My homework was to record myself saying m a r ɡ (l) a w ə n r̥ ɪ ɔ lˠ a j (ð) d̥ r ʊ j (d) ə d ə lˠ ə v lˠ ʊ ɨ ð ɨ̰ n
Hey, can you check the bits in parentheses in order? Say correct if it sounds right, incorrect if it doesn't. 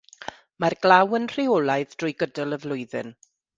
correct, correct, incorrect

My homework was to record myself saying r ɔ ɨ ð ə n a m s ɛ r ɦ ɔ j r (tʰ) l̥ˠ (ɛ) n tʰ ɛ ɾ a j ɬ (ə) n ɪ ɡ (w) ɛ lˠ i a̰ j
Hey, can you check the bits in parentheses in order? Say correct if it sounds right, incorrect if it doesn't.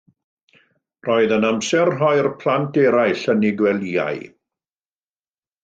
incorrect, incorrect, correct, correct

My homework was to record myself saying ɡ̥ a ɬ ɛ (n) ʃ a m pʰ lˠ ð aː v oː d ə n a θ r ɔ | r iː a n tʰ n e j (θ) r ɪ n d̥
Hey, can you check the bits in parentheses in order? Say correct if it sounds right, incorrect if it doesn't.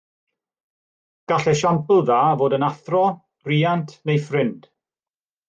incorrect, incorrect

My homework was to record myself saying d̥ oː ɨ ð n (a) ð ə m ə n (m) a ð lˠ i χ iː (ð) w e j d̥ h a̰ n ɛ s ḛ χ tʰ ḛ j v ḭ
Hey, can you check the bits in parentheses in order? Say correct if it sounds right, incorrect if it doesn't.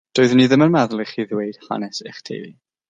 incorrect, correct, correct

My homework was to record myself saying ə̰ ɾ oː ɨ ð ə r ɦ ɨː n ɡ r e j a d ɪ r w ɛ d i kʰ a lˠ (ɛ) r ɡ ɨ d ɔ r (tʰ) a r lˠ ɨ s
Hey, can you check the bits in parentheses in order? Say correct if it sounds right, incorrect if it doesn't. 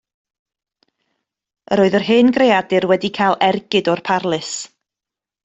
correct, incorrect

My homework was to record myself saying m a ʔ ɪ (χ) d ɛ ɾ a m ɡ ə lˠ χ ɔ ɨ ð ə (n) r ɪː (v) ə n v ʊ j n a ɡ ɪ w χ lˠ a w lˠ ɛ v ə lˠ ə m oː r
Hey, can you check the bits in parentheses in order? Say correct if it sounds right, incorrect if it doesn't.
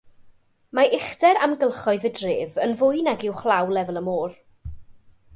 correct, incorrect, correct

